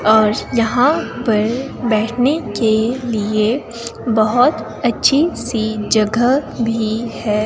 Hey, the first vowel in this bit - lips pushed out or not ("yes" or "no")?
yes